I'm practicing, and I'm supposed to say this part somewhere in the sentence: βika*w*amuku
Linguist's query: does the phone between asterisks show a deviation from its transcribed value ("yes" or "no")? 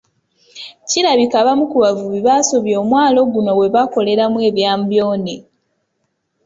yes